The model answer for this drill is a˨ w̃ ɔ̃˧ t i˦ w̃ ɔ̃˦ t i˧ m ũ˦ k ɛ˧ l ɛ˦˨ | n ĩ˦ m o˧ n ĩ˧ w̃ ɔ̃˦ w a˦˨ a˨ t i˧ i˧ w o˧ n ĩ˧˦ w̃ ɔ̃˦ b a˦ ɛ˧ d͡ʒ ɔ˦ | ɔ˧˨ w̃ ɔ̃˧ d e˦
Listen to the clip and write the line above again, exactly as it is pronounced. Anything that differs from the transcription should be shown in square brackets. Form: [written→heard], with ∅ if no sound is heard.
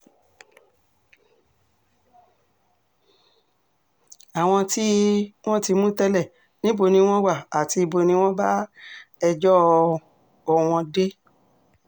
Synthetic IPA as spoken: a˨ w̃ ɔ̃˧ t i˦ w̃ ɔ̃˦ t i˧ m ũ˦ [k→t] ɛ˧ l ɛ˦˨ | n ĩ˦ [m→b] o˧ n ĩ˧ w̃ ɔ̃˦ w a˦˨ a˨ t i˧ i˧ [w→b] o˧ n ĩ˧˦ w̃ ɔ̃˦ b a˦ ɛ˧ d͡ʒ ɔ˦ | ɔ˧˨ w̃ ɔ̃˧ d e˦